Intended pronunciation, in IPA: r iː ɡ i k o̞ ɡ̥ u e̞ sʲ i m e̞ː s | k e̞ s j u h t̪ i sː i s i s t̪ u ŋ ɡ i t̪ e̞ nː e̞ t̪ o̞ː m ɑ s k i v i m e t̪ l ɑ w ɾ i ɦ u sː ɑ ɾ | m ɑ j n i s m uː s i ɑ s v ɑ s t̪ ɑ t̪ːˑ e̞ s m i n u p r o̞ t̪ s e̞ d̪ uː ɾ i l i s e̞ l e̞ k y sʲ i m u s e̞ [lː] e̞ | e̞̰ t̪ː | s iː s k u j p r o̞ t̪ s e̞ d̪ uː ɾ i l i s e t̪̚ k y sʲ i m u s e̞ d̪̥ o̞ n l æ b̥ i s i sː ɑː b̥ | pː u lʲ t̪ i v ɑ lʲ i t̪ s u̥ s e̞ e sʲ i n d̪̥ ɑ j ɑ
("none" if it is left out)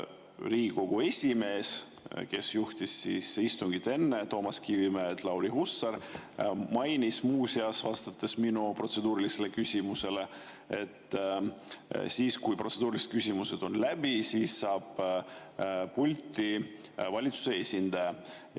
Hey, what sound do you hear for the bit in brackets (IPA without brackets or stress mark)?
l